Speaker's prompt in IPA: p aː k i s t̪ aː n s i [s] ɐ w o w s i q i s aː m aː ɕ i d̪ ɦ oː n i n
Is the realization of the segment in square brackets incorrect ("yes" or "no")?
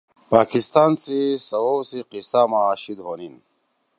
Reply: no